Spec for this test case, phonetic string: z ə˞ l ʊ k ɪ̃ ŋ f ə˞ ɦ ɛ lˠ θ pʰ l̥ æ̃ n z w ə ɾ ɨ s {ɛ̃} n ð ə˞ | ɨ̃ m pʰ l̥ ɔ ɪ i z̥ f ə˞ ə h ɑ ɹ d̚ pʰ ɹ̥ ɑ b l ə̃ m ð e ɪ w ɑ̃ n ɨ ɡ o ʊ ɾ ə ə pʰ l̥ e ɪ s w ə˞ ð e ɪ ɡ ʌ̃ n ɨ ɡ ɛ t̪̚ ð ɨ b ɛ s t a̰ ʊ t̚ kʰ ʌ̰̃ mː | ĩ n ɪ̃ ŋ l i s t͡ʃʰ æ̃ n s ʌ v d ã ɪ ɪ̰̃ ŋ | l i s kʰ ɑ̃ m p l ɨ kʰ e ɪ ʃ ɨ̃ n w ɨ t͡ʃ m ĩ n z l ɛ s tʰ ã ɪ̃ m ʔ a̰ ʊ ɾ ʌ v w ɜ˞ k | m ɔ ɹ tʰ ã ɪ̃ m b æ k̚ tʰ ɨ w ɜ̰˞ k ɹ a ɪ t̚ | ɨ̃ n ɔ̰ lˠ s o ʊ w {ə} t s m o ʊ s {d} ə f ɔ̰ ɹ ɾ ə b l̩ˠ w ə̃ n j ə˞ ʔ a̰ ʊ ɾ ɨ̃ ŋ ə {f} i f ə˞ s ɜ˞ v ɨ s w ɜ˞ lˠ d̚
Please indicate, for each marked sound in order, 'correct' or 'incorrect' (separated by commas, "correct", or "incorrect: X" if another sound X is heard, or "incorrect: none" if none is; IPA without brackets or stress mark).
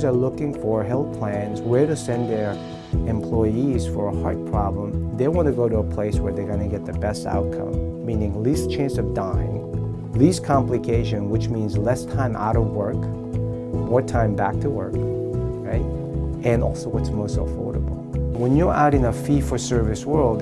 correct, incorrect: ʌ, incorrect: t, correct